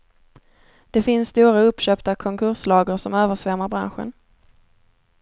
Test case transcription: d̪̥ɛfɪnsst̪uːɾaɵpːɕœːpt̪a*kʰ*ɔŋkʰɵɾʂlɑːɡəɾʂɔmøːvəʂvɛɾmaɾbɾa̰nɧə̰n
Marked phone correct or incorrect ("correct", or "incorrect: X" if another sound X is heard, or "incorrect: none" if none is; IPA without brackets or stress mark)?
correct